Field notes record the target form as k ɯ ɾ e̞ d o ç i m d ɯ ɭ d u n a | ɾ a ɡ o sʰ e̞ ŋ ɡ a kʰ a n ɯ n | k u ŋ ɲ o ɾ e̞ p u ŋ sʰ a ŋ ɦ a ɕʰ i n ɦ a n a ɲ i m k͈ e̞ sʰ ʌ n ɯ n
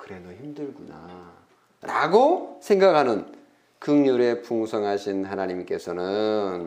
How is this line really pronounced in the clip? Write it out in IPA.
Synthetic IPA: k ɯ ɾ e̞ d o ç i m d ɯ ɭ ɡ u n a | ɾ a ɡ o sʰ e̞ ŋ ɡ a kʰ a n ɯ n | k ɯ ŋ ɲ u ɾ e̞ p u ŋ sʰ ʌ ŋ ɦ a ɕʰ i n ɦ a n a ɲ i m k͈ e̞ sʰ ʌ n ɯ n